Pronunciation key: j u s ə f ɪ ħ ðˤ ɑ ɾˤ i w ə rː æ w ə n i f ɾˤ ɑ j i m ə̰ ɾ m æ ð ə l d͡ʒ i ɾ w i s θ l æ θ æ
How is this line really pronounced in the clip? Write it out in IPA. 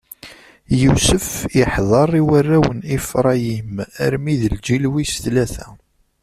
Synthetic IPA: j u s ə f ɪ ħ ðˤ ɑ ɾˤ i w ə rː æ w ə n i f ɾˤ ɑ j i m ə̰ ɾ m i ð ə l d͡ʒ i l w i s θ l æ θ æ